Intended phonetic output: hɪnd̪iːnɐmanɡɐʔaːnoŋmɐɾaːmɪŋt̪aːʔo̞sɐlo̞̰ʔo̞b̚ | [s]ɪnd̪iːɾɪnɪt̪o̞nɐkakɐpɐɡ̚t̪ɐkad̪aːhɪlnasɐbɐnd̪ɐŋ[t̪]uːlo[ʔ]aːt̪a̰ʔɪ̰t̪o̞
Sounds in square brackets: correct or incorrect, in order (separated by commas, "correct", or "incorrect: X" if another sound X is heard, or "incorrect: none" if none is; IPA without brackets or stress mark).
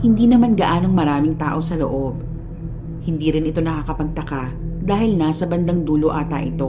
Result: incorrect: h, incorrect: d̪, correct